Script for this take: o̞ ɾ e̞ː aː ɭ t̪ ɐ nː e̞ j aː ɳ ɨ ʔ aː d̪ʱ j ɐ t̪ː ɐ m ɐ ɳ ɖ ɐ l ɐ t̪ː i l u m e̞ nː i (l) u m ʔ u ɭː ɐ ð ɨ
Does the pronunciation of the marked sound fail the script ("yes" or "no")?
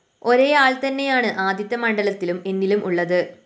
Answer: no